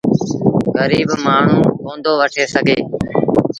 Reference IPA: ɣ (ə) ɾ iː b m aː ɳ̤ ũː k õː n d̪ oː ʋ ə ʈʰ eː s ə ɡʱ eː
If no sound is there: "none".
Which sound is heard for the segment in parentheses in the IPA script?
ə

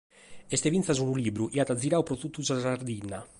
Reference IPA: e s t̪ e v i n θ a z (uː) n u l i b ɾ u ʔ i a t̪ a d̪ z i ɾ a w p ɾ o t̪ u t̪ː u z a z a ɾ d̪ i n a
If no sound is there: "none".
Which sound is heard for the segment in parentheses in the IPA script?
u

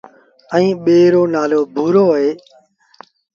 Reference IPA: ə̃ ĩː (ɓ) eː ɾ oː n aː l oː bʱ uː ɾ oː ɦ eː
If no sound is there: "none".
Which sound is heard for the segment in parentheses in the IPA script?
ɓ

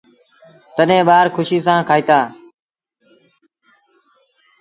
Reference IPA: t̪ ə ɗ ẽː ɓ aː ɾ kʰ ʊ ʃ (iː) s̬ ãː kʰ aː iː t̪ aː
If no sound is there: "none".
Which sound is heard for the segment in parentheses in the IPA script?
iː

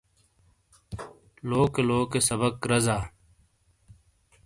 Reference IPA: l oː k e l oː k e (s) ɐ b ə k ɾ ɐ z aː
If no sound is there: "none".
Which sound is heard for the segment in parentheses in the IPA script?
s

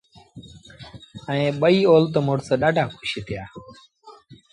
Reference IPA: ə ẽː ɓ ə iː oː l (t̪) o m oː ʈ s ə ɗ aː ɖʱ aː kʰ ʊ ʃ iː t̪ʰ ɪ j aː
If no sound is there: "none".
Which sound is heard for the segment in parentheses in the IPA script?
t̪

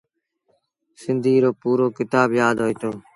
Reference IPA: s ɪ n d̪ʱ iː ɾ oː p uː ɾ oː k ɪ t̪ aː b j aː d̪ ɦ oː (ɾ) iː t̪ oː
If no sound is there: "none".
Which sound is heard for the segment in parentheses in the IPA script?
none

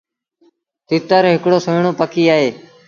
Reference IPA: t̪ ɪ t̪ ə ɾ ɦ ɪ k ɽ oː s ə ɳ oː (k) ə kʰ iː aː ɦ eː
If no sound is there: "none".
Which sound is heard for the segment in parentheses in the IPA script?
p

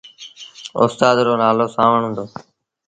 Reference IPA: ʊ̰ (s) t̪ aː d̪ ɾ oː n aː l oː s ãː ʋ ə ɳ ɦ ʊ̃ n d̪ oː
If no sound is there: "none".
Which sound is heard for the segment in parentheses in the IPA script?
s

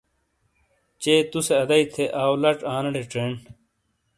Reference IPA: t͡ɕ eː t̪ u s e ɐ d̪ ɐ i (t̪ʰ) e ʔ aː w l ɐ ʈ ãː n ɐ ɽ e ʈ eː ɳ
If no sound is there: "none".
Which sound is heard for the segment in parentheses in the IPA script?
t̪ʰ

